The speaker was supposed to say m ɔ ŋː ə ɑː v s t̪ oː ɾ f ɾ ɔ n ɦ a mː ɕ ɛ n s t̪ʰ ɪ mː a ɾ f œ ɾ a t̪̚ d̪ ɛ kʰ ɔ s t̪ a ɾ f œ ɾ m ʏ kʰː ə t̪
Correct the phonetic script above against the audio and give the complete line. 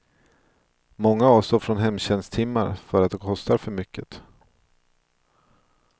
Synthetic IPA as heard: m ɔ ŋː a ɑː v s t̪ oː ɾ f ɾ ɔ n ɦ ɛ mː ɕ ɛ n s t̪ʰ ɪ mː a ɾ f œ ɾ a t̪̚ d̪ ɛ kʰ ɔ s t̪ a ɾ f œ ɾ m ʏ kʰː ə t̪